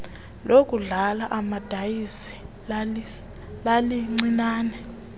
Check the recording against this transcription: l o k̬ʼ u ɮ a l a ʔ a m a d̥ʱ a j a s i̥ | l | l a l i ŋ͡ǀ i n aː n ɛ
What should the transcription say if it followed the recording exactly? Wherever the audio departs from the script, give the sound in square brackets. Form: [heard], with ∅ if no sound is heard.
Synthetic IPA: l o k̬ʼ u ɮ a l a ʔ a m a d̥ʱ a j [i] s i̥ | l | l a l i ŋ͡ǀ i n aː n ɛ

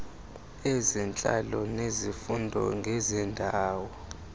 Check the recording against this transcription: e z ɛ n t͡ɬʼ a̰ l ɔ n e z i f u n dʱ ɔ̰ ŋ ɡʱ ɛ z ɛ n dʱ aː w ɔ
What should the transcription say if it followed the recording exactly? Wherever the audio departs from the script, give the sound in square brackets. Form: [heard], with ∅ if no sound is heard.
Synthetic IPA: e z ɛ n t͡ɬʼ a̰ l ɔ n e z i f u n dʱ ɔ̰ ŋ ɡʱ ɛ z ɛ n dʱ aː w ɔ

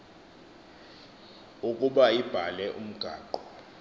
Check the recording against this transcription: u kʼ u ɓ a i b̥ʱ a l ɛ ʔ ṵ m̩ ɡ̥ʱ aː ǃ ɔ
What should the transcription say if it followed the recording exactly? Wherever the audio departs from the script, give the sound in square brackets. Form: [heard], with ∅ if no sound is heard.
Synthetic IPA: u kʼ u ɓ a i b̥ʱ a l ɛ ʔ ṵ m̩ ɡ̥ʱ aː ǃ ɔ

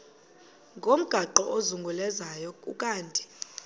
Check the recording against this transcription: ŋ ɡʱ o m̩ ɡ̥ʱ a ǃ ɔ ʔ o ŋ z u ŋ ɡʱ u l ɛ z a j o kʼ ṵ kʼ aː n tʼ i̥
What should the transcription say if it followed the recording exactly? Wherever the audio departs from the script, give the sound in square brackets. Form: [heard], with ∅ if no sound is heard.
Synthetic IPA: ŋ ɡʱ o m̩ ɡ̥ʱ a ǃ ɔ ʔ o [∅] z u ŋ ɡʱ u l ɛ z a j [ɔ] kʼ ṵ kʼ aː n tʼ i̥

